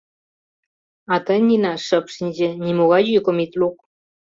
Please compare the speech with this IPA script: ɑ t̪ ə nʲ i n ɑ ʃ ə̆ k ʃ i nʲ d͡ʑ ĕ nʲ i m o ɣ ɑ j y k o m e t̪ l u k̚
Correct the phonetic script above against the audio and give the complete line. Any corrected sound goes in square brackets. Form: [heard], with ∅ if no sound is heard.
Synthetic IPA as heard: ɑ t̪ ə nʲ i n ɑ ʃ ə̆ [p] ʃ i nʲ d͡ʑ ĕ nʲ i m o ɣ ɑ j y k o m [i] t̪ l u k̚